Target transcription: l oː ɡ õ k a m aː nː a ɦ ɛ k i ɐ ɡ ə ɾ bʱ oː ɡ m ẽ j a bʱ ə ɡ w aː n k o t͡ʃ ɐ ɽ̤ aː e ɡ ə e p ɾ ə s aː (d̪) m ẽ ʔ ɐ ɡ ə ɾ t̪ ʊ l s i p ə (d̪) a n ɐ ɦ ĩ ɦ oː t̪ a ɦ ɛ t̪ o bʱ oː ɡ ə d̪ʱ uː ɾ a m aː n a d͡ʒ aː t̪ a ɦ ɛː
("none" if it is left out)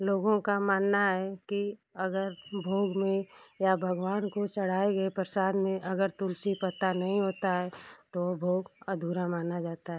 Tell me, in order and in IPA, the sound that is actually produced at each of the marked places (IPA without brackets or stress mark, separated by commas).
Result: d̪, t̪